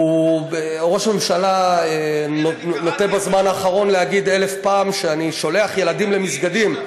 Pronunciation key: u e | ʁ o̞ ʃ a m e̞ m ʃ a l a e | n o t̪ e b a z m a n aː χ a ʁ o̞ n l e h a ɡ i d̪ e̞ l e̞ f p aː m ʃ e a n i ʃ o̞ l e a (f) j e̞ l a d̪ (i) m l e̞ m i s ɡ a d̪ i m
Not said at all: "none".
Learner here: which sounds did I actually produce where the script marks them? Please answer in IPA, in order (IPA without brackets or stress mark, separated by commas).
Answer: χ, i